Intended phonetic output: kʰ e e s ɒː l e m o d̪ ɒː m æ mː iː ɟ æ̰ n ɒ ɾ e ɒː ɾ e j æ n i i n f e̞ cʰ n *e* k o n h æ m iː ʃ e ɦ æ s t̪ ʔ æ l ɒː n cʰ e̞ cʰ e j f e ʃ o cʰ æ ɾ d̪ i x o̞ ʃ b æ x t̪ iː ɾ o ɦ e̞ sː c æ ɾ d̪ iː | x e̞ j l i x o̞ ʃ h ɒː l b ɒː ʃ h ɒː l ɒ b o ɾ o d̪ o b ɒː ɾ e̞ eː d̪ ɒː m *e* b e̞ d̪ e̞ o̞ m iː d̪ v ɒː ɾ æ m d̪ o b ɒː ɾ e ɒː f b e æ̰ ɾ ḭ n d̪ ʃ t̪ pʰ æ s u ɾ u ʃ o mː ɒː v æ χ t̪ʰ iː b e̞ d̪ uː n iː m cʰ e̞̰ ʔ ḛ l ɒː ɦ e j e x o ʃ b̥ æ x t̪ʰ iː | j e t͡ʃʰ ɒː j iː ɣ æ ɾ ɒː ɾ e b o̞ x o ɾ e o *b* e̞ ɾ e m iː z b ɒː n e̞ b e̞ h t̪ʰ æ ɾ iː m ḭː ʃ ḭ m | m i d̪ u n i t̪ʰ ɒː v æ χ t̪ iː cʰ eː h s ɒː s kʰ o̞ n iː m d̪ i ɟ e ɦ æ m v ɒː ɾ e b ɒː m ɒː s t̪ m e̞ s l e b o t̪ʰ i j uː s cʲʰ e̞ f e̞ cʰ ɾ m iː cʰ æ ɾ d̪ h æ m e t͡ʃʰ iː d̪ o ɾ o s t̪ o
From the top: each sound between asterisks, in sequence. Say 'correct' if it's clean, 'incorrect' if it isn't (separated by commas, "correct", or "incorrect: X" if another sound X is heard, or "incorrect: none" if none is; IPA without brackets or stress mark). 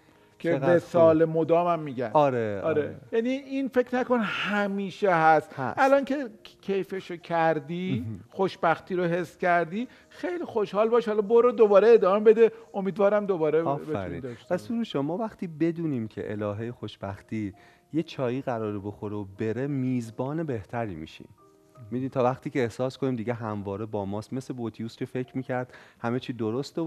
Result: incorrect: æ, correct, correct